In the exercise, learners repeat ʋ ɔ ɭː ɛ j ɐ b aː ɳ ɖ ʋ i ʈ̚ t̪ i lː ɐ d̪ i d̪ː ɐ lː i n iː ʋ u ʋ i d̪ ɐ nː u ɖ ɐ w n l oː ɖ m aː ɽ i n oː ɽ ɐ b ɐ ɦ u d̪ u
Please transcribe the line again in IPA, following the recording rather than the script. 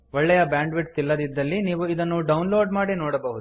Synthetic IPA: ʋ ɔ ɭː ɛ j ɐ b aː ɳ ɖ ʋ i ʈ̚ t̪ i lː ɐ d̪ i d̪ː ɐ lː i n iː ʋ u i d̪ ɐ nː u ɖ ɐ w n l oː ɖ m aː ɽ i n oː ɽ ɐ b ɐ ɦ u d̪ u